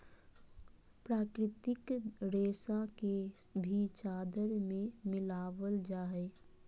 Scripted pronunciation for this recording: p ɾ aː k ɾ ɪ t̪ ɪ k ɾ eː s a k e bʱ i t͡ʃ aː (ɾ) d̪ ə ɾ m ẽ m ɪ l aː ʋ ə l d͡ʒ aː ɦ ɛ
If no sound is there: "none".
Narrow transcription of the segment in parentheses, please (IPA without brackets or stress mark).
none